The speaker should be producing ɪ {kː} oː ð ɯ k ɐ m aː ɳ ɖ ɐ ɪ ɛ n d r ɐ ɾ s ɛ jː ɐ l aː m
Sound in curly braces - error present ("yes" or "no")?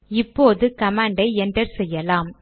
yes